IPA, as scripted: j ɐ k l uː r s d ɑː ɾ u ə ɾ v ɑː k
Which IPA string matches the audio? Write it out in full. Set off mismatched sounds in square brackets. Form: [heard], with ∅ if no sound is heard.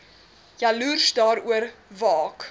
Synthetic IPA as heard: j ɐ [∅] l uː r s d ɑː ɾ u ə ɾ v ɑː k